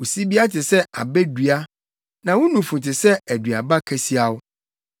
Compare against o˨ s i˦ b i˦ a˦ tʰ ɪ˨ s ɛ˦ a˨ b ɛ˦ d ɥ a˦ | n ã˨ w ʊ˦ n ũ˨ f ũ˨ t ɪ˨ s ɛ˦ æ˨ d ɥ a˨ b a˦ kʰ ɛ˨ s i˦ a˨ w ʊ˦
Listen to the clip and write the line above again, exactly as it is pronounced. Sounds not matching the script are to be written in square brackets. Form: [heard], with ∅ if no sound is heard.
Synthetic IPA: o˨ s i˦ b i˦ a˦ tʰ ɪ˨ s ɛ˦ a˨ b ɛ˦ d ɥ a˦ | n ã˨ w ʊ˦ n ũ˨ f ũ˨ t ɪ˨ s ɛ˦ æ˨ d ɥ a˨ b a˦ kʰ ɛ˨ s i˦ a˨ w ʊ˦